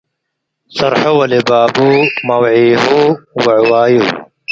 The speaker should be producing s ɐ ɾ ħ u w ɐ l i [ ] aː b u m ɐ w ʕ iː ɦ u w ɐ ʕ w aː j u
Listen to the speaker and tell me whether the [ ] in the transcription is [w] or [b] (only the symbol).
b